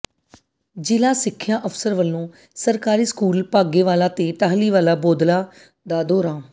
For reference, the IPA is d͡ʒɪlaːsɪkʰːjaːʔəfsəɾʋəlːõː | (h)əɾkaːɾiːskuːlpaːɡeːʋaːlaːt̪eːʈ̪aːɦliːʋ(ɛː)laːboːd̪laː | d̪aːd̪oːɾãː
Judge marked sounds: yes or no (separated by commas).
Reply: no, no